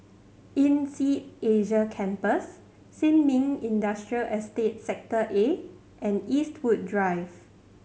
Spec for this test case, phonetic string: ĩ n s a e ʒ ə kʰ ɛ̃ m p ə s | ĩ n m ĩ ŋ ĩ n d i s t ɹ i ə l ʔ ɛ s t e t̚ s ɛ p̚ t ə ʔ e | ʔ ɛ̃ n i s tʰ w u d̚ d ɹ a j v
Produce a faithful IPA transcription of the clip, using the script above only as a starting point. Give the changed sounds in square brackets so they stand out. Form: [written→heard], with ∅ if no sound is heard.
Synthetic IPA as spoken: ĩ n s [a→i] e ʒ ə kʰ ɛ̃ m p ə [s→sː] | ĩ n m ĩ ŋ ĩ n d [i→a] s t ɹ i ə l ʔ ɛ s t e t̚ s ɛ [p̚→k̚] t ə ʔ e | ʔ ɛ̃ n i s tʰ w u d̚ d ɹ a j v

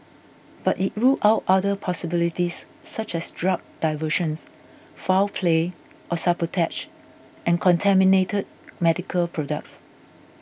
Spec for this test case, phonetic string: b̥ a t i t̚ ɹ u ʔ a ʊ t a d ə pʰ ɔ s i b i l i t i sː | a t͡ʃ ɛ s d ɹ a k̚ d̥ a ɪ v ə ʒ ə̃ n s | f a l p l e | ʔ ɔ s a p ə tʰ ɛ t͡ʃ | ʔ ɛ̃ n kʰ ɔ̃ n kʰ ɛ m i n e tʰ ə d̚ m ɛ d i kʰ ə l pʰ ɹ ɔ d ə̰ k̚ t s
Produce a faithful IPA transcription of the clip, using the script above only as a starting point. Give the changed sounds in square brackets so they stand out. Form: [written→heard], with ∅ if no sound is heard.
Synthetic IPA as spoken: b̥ a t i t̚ ɹ u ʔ a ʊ t a d ə pʰ ɔ s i b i l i t i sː | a t͡ʃ ɛ s d ɹ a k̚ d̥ a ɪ v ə [ʒ→ʃ] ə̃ n s | f a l [p→pʰ] l e | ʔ ɔ s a p ə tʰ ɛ t͡ʃ | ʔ ɛ̃ n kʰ ɔ̃ n [kʰ→tʰ] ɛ m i n e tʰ ə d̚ m ɛ d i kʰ ə l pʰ ɹ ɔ d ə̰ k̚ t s

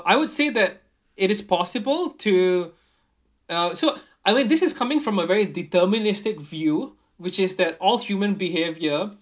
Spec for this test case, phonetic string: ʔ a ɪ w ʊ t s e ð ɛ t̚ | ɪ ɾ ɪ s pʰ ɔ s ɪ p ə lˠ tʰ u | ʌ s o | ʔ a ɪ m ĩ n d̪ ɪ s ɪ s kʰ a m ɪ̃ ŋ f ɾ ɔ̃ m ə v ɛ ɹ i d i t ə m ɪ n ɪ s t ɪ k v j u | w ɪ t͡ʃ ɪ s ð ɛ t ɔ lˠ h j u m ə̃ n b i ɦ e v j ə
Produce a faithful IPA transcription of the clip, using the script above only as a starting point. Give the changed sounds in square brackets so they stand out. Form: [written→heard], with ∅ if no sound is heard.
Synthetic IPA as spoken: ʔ a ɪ w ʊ [t→d] s e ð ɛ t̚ | ɪ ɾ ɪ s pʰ ɔ s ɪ [p→b] ə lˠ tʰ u | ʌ s o | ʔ a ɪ m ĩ n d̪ ɪ s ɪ s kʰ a m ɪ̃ ŋ f [ɾ→ɹ] ɔ̃ m ə v ɛ ɹ i d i t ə m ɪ n ɪ s t ɪ k v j u | w ɪ t͡ʃ ɪ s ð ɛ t ɔ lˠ h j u m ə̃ n b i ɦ e v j ə

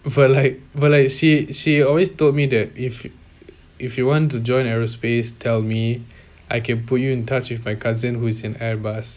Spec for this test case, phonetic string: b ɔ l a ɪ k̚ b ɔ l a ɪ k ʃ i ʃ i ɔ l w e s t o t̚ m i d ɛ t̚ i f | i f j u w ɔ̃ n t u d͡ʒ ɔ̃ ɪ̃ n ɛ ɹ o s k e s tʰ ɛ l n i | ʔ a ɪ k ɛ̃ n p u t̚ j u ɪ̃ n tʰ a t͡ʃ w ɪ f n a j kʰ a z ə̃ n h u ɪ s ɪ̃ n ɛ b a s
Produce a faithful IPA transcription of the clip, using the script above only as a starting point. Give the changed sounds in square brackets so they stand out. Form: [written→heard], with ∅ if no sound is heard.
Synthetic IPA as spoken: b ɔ l a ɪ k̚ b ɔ l a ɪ k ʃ i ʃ i ɔ l w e s t o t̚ m i d ɛ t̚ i f | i f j u w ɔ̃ n t u d͡ʒ ɔ̃ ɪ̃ n ɛ ɹ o s [k→p] e s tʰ ɛ l [n→m] i | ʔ a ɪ k ɛ̃ n p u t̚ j u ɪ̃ n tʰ a t͡ʃ w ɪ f [n→m] a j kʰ a z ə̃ n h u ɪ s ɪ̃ n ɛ b a s

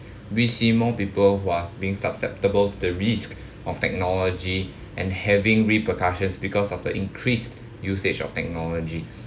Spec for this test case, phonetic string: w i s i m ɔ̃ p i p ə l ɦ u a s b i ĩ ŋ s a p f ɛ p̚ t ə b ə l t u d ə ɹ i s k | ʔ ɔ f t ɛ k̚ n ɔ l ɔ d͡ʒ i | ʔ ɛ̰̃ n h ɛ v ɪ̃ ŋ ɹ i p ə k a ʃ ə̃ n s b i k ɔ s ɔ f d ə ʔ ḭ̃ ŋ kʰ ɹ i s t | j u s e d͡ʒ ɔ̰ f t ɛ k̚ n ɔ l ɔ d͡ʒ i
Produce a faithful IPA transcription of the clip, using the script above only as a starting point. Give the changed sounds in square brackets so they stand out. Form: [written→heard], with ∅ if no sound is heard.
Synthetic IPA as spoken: w i s i m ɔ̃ p i p ə l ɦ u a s b i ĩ ŋ s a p [f→s] ɛ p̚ t ə b ə l t u d ə ɹ i s k | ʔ ɔ f t ɛ k̚ n ɔ l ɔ d͡ʒ i | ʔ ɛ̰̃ n h ɛ v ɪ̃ ŋ ɹ i p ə k a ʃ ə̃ n s b i k ɔ s ɔ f d ə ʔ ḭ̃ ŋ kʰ ɹ i s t | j u s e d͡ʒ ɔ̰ f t ɛ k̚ n ɔ l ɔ d͡ʒ i

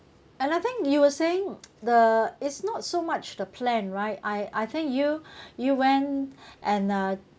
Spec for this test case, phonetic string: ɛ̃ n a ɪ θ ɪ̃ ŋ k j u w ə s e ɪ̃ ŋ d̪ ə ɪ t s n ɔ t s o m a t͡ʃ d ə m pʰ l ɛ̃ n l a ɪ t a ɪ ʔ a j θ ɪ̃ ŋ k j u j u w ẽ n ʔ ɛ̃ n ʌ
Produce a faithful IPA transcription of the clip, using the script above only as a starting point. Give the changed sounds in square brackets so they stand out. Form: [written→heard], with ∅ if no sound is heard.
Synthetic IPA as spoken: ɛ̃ n a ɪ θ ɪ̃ ŋ k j u w ə s e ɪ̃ ŋ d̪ ə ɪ t s n ɔ t s o m a t͡ʃ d ə [m→∅] pʰ l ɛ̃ n [l→ɹ] a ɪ t a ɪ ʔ a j θ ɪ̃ ŋ k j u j u w [ẽ→ɛ̃] n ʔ ɛ̃ n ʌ

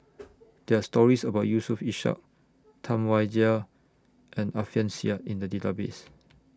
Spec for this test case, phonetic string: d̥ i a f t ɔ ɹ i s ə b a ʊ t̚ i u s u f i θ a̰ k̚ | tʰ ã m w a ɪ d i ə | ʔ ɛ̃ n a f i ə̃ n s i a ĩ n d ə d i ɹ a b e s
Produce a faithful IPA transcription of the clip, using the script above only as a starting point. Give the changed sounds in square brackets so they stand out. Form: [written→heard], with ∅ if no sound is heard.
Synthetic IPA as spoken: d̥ [i→ɛ] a [f→s] t ɔ ɹ i s ə b a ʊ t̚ [i→j] u s u f i [θ→ʃ] a̰ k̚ | tʰ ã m w a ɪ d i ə | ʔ ɛ̃ n a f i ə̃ n s i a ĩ n d ə d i [ɹ→l] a b e s

